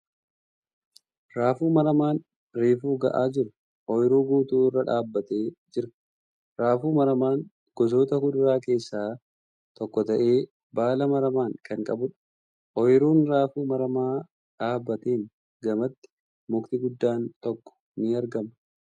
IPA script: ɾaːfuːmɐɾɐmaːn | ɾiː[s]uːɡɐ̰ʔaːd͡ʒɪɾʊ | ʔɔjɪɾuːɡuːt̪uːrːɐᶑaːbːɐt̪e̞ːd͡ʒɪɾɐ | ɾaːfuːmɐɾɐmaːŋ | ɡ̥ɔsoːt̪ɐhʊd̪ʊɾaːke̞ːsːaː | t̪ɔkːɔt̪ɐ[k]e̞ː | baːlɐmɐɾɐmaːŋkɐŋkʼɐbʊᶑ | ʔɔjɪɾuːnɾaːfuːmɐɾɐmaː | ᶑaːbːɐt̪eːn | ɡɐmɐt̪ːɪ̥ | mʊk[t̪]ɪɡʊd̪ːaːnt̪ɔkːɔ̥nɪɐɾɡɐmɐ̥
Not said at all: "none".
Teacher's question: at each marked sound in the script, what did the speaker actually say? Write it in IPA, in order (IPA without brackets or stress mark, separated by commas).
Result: f, ʔ, t̪